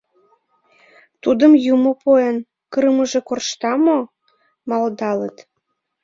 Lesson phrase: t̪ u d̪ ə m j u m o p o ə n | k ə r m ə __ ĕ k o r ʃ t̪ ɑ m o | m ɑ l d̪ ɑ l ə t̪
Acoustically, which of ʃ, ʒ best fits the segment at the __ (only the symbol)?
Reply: ʒ